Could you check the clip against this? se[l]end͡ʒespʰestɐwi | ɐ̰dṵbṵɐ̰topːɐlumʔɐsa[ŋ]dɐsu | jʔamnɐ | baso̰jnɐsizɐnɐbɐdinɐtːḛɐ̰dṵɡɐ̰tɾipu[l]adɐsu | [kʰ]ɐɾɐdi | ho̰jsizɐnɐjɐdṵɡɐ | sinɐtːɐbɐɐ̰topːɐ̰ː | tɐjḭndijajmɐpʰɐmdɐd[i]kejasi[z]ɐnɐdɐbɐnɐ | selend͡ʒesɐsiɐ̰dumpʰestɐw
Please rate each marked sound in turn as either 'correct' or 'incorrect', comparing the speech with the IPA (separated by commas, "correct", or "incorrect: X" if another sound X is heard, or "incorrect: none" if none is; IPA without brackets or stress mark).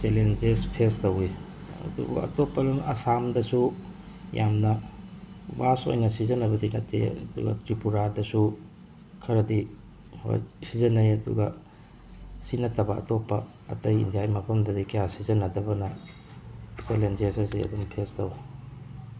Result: correct, incorrect: m, incorrect: ɾ, correct, correct, correct